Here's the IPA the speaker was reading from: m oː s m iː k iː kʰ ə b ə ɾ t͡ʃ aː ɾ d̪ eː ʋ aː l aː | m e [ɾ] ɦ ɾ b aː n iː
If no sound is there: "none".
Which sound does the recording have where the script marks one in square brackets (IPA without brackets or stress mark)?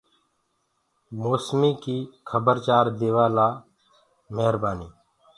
none